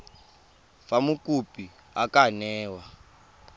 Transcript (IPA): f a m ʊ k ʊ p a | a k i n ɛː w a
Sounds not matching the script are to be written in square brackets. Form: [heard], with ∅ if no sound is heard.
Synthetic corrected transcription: f a m [u] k [u] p [i] | a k [a] n ɛː w a